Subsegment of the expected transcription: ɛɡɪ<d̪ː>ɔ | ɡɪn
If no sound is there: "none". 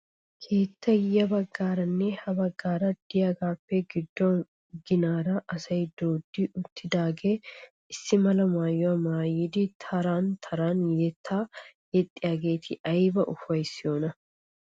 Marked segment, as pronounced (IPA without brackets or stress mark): d̪ː